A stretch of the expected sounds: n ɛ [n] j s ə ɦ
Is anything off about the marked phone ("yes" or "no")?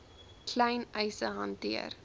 yes